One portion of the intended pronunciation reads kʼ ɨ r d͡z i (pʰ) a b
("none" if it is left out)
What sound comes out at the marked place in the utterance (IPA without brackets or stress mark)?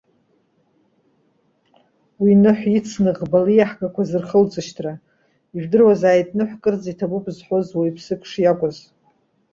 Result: tʰ